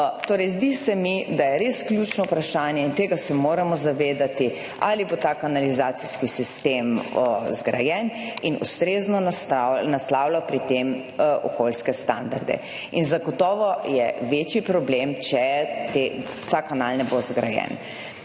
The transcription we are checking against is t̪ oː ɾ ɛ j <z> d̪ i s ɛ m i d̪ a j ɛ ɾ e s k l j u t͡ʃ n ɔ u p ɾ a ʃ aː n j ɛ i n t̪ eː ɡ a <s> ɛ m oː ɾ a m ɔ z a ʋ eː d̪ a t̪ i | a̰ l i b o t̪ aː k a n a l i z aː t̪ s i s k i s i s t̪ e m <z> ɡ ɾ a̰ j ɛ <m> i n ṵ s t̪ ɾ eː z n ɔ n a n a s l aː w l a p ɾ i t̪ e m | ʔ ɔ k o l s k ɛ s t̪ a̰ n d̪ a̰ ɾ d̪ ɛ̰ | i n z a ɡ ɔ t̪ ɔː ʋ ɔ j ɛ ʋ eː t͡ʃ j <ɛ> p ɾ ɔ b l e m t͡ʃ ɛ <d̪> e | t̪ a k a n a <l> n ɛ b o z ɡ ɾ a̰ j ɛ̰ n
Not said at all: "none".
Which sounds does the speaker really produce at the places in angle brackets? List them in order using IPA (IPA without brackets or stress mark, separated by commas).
z, s, z, n, i, t̪, l